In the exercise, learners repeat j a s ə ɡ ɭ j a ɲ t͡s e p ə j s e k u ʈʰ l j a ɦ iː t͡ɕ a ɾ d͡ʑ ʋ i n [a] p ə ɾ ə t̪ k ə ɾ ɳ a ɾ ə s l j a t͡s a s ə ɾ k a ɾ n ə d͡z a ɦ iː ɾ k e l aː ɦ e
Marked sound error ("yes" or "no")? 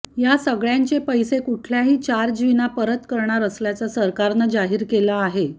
no